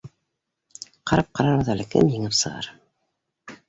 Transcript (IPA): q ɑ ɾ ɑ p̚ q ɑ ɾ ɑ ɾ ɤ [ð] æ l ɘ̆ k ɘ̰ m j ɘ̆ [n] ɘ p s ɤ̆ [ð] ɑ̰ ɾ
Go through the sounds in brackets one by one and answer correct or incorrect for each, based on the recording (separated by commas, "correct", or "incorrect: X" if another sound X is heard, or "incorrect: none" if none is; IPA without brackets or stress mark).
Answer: correct, incorrect: ŋ, incorrect: ʁ